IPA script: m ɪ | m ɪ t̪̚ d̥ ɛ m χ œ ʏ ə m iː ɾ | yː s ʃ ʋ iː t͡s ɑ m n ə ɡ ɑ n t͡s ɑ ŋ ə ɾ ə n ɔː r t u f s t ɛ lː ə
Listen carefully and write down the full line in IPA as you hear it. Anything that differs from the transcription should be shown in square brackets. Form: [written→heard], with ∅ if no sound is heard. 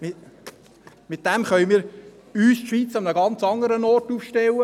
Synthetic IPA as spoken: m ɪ | m ɪ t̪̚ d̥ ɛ m χ œ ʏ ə m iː ɾ | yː s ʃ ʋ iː t͡s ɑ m n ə ɡ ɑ n t͡s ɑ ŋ ə ɾ ə n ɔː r t u f [s→ʃ] t ɛ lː ə